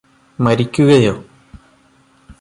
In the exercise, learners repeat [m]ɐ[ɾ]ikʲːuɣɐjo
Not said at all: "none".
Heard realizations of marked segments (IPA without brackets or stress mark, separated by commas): m, ɾ